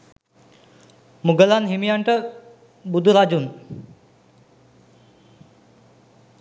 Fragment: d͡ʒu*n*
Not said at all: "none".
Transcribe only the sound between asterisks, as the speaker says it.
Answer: n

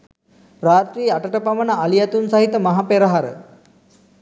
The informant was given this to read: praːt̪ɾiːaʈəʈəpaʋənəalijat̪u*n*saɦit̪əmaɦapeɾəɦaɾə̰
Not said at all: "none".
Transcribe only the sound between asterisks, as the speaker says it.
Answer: n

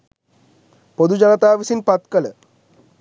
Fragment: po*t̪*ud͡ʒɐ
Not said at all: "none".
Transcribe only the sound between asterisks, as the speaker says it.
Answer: d̪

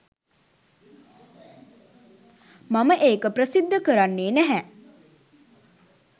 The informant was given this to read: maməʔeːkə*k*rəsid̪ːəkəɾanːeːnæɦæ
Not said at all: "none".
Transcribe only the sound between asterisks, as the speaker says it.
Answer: p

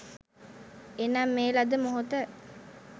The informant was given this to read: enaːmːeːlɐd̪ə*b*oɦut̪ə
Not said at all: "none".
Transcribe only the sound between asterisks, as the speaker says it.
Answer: m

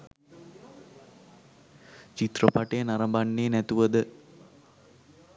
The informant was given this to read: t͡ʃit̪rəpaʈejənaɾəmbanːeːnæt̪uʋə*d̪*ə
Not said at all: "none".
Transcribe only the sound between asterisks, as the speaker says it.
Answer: d̪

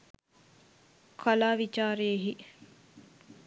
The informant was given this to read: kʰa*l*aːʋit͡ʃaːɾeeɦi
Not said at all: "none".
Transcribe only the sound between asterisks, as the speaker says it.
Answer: l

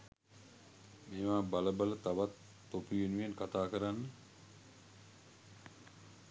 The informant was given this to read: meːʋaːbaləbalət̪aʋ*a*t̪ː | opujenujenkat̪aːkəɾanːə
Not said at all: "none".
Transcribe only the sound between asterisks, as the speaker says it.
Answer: a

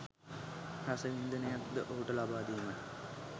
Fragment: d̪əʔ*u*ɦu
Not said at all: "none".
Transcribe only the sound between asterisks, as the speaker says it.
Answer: o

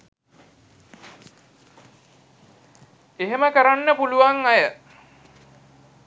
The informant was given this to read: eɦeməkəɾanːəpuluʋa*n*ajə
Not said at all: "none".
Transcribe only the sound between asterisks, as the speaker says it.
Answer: ŋ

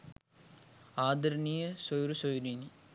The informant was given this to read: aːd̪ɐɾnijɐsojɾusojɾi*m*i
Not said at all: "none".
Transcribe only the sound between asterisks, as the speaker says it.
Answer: n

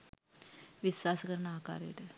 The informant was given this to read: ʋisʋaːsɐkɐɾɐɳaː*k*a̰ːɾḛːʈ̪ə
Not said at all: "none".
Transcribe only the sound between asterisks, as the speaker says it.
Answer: k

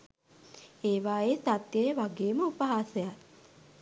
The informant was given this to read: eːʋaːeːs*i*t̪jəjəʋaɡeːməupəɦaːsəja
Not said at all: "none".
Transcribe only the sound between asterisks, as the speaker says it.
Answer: a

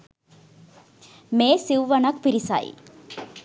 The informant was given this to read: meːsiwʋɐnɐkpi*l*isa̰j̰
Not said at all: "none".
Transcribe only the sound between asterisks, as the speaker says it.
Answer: ɾ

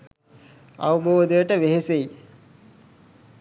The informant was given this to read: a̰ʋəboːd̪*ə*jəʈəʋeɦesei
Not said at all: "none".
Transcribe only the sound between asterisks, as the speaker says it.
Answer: ə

